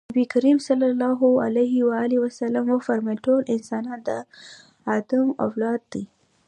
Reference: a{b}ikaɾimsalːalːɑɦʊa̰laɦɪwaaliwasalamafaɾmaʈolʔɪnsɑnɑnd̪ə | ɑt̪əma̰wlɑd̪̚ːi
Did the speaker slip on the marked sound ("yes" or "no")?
no